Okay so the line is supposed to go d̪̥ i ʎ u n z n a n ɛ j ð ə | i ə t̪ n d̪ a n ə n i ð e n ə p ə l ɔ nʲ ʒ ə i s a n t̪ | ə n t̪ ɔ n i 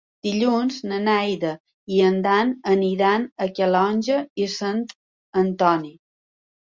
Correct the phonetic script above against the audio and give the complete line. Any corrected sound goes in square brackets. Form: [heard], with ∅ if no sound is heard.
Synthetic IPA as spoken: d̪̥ i ʎ u n z n [ə] n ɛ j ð ə | i ə [∅] n d̪ a n ə n i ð [a] n ə [k] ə l ɔ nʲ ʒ ə i s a n t̪ | ə n t̪ ɔ n i